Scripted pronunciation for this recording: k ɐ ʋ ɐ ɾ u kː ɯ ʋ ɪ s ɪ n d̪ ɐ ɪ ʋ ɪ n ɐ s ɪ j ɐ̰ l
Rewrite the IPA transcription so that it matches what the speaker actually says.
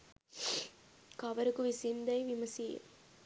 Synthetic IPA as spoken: k ɐ ʋ ɐ ɾ ɯ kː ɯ ʋ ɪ s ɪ n d̪ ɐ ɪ ʋ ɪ m ɐ s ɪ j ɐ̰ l

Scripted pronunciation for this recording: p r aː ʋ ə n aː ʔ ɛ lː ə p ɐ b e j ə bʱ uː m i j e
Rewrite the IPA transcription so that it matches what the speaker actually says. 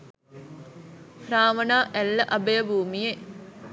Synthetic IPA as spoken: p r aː ʋ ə n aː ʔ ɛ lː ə ʔ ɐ b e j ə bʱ uː m i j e

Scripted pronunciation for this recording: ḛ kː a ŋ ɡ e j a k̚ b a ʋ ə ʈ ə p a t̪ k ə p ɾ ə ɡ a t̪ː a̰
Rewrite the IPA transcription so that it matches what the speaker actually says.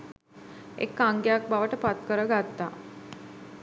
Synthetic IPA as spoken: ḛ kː a ŋ ɡ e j a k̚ b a ʋ ə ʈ ə p a t̪ k ə ɾ ə ɡ a t̪ː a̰

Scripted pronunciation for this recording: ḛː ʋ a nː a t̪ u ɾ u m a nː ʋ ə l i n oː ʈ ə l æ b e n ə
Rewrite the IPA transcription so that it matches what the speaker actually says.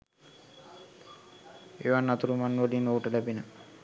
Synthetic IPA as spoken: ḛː ʋ a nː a t̪ u ɾ u m a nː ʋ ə l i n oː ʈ ə l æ b i n ə

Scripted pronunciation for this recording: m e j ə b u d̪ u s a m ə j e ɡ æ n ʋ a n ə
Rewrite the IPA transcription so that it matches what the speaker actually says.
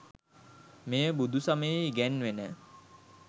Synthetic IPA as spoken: m e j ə b u d̪ u s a m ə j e ɡ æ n ʋ e n ə

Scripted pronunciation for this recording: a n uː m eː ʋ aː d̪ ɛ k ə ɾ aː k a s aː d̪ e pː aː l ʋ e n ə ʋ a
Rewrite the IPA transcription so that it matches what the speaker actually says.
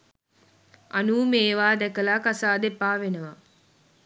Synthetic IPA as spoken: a n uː m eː ʋ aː d̪ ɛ k ə l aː k a s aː d̪ e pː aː ʋ e n ə ʋ a

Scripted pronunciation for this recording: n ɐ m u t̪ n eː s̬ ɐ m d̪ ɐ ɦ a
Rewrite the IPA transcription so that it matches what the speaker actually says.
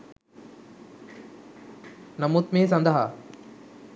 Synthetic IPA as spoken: n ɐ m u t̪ m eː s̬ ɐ n d̪ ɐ ɦ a

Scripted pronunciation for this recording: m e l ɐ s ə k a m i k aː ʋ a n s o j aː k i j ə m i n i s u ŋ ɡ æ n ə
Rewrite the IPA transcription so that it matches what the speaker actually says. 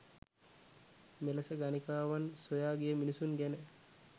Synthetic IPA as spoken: m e l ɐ s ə ɡ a n i k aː ʋ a n s o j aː ɡ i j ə m i n i s u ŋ ɡ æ n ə

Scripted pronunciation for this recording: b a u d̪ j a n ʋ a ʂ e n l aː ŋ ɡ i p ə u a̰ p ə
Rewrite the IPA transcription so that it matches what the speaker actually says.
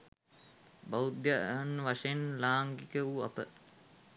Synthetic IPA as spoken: b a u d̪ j a n ʋ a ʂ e n l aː ŋ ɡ i k ə u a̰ p ə

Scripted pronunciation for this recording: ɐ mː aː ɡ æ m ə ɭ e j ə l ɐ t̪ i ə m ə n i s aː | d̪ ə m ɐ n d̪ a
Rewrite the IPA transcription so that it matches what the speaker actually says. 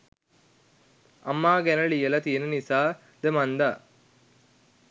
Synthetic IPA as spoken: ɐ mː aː ɡ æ n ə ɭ i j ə l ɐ t̪ i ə n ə n i s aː | d̪ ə m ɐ n d̪ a

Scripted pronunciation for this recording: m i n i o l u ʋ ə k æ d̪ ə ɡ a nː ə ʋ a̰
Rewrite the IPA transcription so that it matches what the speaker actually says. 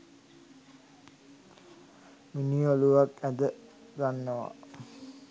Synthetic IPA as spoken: m i n i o l u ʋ a k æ d̪ ə ɡ a nː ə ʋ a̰

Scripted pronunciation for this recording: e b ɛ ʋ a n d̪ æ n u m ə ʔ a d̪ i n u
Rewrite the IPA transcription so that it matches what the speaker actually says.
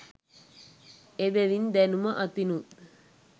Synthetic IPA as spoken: e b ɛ ʋ i n d̪ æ n u m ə ʔ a t̪ i n u

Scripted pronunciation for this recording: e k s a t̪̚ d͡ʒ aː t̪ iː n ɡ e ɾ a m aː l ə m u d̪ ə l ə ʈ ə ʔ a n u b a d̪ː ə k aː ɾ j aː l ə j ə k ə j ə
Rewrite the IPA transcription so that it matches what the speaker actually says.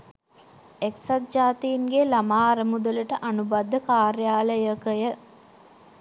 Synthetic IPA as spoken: e k s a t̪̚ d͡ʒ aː t̪ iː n ɡ e l a m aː ɾ ə m u d̪ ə l ə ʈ ə ʔ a n u b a d̪ː ə k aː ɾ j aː l ə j ə k ə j ə

